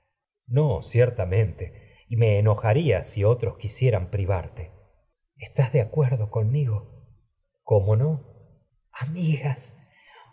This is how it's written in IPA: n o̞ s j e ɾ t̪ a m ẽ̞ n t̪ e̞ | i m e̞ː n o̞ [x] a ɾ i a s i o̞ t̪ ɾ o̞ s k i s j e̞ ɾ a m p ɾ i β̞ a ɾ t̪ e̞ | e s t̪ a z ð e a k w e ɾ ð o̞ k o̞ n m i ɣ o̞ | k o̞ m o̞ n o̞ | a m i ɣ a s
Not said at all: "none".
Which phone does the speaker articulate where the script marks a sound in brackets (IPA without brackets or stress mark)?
x